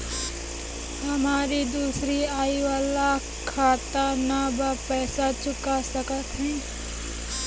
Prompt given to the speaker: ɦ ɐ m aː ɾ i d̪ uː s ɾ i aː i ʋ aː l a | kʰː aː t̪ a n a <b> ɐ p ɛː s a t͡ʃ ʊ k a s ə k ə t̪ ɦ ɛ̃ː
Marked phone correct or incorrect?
correct